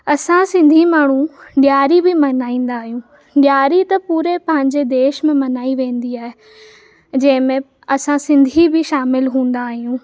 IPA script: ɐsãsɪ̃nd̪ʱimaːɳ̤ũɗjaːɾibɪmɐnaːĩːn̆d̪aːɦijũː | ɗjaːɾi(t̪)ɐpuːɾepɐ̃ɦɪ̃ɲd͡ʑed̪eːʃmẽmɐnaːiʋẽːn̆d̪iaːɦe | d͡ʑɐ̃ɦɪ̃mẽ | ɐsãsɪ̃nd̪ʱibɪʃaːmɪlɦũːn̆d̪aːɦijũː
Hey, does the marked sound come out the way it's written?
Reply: yes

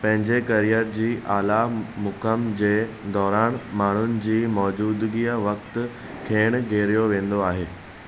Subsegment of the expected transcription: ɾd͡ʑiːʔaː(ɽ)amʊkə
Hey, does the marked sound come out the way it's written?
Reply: no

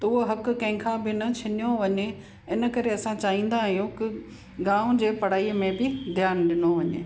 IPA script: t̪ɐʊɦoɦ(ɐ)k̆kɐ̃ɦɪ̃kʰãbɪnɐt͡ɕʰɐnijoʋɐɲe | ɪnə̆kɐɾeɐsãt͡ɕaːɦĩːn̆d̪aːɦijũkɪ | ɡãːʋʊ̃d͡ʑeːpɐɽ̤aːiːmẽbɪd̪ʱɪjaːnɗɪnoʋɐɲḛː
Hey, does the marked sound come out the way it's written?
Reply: yes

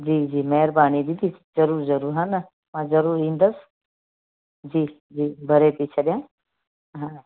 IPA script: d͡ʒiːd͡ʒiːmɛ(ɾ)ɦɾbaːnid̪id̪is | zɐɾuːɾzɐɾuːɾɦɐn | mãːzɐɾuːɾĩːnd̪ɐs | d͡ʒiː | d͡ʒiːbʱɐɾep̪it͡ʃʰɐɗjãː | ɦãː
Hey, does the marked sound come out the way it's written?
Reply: no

